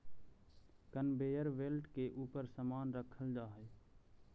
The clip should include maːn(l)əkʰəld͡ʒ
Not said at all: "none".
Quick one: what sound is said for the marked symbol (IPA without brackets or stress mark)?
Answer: ɾ